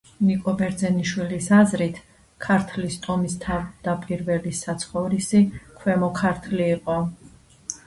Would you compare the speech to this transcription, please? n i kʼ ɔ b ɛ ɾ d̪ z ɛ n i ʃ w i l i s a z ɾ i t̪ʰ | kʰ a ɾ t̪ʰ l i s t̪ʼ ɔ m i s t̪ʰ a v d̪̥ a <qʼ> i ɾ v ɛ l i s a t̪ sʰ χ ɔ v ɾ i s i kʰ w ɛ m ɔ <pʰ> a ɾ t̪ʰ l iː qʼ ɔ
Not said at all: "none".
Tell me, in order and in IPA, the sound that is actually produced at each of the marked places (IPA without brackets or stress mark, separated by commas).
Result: pʼ, kʰ